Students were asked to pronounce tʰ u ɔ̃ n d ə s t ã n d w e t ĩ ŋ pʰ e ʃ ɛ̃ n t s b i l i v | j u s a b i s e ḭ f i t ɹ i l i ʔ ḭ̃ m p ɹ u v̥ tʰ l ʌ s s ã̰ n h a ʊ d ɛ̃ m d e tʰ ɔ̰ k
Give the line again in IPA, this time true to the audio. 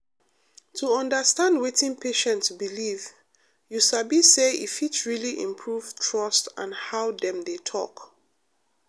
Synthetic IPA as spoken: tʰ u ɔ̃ n d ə s t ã n d w e t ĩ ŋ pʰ e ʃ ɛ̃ n t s b i l i v | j u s a b i s e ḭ f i t ɹ i l i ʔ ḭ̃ m pʰ ɹ u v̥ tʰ ɹ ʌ s t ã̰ n h a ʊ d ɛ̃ m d e tʰ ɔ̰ k